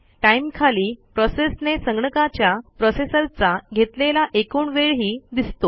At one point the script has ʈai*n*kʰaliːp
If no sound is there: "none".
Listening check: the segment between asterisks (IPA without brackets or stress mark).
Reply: m